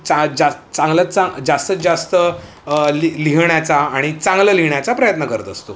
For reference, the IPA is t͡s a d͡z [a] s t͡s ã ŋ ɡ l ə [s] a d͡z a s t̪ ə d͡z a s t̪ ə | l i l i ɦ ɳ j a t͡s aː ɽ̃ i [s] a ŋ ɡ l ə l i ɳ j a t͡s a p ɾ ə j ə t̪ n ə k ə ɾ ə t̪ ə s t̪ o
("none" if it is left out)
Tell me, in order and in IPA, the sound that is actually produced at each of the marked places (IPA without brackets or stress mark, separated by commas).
a, t͡s, t͡s